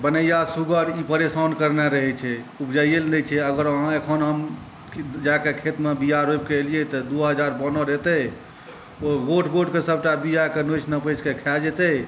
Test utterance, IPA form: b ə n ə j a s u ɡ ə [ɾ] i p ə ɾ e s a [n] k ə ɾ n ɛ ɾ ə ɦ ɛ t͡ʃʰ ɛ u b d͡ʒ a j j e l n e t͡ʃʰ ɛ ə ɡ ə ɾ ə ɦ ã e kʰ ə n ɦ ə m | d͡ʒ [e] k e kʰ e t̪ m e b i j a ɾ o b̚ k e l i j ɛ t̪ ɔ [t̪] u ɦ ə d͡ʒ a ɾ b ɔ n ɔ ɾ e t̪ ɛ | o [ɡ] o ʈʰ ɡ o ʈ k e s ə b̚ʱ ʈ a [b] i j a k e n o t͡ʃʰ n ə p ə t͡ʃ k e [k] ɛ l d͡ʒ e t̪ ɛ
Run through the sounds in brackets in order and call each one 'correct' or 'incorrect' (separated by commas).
correct, correct, incorrect, incorrect, correct, correct, incorrect